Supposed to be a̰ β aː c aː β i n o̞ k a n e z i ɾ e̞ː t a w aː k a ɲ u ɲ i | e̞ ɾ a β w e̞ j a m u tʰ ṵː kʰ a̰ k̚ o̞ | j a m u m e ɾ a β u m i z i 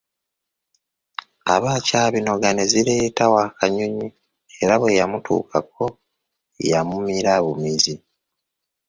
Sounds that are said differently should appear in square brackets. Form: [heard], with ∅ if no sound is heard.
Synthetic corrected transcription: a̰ β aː c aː β i n o̞ [ɡ] a n e z i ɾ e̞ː t a w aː k a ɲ u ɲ i | e̞ ɾ a β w e̞ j a m u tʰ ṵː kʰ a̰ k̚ o̞ | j a m u m [i] ɾ a β u m i z i